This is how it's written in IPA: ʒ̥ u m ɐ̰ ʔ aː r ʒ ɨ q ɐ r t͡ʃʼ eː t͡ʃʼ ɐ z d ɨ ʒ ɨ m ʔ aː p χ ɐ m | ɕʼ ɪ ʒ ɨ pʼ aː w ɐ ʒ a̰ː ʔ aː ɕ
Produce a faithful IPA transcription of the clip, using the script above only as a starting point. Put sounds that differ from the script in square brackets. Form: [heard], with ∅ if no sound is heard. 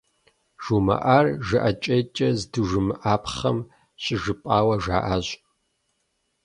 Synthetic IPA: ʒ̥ u m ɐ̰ ʔ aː r ʒ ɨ [ʔ] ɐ [∅] t͡ʃʼ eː t͡ʃʼ ɐ z d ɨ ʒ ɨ m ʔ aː p χ ɐ m | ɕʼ ɪ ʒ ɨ pʼ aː w ɐ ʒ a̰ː ʔ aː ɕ

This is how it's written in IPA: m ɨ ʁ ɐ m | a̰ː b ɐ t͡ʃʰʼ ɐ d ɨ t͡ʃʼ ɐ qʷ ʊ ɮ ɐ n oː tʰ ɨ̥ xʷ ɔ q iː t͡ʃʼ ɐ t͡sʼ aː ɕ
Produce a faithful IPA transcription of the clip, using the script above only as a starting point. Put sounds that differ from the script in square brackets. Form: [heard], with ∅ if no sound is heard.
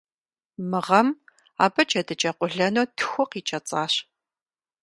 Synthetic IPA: m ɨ ʁ ɐ m | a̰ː b ɐ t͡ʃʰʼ ɐ d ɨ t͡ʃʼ ɐ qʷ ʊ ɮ ɐ n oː tʰ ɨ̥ xʷ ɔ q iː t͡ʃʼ ɐ t͡sʼ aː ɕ

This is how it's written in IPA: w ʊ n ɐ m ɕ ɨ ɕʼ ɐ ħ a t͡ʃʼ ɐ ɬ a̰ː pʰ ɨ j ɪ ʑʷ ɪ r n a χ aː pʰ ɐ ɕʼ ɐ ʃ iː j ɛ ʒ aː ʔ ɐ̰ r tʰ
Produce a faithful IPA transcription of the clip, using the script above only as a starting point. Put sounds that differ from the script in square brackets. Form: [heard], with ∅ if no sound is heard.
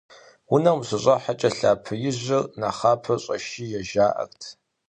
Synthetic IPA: w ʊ n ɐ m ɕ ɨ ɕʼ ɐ ħ a t͡ʃʼ ɐ ɬ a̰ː pʰ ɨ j ɪ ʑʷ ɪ r n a χ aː pʰ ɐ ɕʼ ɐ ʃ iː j ɛ ʒ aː ʔ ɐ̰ r tʰ

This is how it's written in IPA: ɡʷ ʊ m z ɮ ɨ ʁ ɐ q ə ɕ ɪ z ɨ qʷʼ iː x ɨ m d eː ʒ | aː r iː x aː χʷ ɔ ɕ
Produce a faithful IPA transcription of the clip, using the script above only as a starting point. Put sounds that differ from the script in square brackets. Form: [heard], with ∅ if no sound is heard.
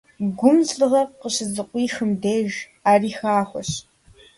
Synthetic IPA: ɡʷ ʊ m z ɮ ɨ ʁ ɐ q ə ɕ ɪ z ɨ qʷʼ iː x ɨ m d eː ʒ | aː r iː x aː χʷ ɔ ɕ

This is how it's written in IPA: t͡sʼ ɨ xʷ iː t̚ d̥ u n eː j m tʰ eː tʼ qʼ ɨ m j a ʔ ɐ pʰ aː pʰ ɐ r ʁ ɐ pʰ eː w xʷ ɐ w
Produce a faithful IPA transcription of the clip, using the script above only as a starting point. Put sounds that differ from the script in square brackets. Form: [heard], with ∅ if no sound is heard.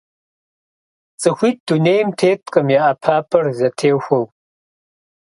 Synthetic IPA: t͡sʼ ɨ xʷ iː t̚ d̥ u n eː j m tʰ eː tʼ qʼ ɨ m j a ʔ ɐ pʰ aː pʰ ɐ r [z] ɐ [tʰ] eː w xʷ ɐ w

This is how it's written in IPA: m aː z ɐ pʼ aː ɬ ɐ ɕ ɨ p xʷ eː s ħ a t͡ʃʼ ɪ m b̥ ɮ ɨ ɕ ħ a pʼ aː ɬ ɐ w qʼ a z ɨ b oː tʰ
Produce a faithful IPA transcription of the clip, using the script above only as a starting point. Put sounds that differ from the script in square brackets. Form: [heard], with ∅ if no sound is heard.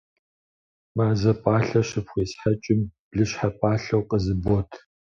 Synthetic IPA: m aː z ɐ pʼ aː ɬ ɐ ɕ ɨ p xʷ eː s ħ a t͡ʃʼ ɪ m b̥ ɮ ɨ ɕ ħ a pʼ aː ɬ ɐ w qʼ [ə] z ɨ b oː tʰ

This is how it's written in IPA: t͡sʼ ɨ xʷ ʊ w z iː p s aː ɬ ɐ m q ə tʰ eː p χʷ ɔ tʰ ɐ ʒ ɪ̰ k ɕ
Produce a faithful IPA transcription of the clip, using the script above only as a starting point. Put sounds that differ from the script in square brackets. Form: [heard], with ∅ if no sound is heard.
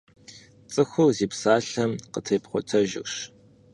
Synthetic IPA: t͡sʼ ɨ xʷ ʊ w z iː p s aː ɬ ɐ m q ə tʰ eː p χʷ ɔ tʰ ɐ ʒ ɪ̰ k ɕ

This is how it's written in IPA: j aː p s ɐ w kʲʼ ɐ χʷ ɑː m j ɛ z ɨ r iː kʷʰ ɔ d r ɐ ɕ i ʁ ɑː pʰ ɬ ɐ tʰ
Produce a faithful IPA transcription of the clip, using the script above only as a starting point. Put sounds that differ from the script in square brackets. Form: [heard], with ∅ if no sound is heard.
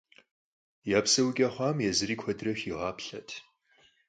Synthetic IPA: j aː p s ɐ w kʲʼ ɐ χʷ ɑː m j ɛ z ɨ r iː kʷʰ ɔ d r ɐ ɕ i ʁ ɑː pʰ ɬ ɐ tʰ

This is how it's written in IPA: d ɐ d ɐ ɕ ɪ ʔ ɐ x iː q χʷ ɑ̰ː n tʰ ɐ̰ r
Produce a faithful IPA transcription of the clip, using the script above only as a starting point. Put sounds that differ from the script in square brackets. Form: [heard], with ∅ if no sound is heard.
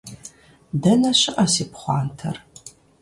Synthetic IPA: d ɐ [n] ɐ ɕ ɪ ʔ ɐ [s] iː [p] χʷ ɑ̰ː n tʰ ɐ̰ r

